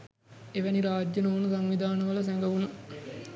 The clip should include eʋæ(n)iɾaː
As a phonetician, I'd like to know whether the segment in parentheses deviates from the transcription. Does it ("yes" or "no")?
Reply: no